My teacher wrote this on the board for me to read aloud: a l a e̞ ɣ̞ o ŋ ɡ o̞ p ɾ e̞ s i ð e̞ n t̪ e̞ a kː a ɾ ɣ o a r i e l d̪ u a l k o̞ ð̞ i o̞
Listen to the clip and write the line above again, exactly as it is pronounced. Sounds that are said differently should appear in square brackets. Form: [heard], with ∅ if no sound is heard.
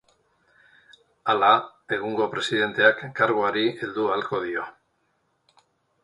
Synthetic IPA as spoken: a l a e̞ ɣ̞ [u] ŋ ɡ o̞ p ɾ e̞ s i ð e̞ n t̪ e̞ a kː a ɾ ɣ o a [ɾ] i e l d̪ u a l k o̞ ð̞ i o̞